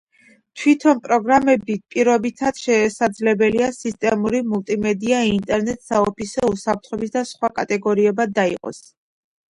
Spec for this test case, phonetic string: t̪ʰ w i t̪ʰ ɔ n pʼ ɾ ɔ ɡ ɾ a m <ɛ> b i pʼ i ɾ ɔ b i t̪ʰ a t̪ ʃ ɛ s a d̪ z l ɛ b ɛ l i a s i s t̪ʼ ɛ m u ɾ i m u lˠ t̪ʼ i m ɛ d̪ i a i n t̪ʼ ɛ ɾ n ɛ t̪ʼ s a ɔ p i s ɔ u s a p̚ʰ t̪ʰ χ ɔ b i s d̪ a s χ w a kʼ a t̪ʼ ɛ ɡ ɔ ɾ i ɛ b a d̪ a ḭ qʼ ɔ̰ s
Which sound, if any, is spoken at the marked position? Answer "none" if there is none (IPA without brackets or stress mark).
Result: ɛ